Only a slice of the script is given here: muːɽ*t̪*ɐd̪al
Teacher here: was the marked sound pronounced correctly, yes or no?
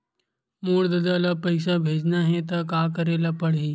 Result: no